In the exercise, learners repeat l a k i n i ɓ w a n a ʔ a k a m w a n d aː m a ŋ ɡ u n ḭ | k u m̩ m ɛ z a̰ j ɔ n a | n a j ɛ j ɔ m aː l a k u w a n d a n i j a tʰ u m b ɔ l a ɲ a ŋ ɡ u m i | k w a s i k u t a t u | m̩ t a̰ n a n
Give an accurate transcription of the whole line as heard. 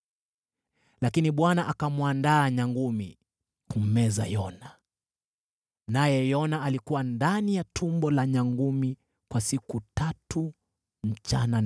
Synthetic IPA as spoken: l a k i n i ɓ w a n a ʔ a k a m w a n d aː ɲ a ŋ ɡ u m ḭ | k u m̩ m ɛ z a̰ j ɔ n a | n a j ɛ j ɔ n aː l i k u w a n d a n i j a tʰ u m b ɔ l a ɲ a ŋ ɡ u m i | k w a s i k u t a t u | m̩ t͡ʃ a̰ n a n